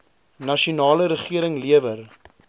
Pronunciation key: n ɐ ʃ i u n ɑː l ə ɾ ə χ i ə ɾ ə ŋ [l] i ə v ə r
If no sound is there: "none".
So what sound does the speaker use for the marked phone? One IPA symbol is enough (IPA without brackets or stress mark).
l